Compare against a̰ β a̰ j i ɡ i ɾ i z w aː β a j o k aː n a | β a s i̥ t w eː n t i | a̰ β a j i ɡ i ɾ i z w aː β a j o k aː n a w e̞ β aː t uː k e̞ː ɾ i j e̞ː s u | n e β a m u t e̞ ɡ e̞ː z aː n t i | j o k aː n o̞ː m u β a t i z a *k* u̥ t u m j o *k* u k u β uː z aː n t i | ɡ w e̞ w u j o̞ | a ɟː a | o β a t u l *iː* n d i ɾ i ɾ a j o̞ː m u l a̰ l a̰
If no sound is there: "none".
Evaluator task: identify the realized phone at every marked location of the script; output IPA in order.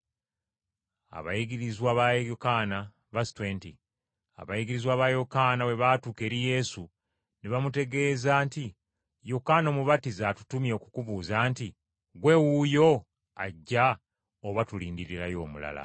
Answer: t, k, iː

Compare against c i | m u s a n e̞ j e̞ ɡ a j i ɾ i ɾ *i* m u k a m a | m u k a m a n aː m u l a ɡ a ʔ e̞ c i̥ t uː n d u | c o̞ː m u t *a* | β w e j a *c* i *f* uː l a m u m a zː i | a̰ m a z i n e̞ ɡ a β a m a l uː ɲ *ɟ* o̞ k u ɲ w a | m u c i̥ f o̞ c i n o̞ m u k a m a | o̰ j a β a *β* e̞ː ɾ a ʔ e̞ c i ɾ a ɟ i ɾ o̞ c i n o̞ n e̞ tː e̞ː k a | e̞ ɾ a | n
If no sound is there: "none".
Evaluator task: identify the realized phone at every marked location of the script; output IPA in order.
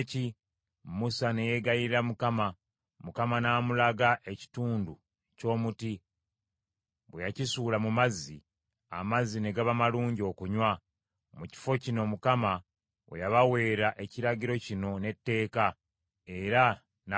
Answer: a, i, c, s, ɟ, w

